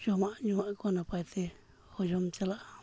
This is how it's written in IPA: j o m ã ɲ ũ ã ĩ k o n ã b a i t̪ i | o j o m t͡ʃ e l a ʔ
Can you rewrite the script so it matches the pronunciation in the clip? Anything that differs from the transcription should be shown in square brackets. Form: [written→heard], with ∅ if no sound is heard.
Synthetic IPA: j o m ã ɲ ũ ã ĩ k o n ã [b→p] a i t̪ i | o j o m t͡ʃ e l a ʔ